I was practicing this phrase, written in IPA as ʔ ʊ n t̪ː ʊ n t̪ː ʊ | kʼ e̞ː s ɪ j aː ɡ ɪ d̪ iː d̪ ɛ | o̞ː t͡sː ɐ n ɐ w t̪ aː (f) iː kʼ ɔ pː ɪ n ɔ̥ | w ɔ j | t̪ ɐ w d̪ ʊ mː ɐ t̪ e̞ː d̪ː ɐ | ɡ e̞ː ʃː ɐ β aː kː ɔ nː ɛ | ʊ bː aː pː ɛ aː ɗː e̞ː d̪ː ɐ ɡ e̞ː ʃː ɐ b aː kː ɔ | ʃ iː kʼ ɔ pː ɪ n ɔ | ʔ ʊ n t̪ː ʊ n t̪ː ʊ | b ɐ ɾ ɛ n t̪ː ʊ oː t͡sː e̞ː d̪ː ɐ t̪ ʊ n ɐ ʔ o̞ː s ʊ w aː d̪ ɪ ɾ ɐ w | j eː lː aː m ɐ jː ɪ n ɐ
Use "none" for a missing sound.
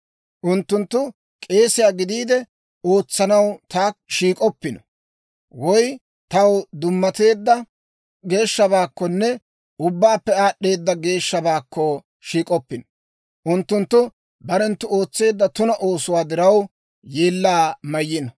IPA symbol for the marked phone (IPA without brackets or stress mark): ʃ